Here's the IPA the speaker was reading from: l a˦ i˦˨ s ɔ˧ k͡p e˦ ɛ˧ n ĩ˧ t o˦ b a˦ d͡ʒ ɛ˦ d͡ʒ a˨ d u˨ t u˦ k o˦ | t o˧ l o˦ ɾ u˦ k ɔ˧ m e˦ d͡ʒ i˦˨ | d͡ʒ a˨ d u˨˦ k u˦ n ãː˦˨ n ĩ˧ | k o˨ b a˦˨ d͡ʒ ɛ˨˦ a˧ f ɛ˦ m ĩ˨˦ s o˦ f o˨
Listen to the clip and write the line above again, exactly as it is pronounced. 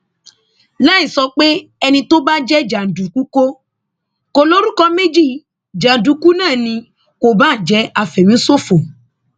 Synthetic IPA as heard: l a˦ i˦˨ s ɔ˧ k͡p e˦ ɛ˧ n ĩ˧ t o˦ b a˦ d͡ʒ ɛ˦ d͡ʒ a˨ d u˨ k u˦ k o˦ | k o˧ l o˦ ɾ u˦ k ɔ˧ m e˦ d͡ʒ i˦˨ | d͡ʒ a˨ d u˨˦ k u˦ n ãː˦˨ n ĩ˧ | k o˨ b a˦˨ d͡ʒ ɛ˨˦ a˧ f ɛ˨ m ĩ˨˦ s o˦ f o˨